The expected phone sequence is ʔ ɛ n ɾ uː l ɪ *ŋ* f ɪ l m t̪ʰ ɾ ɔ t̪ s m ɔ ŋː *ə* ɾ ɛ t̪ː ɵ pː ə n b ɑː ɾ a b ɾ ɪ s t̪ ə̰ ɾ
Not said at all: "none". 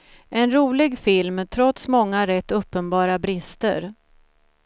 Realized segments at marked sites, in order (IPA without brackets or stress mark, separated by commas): ɡ, a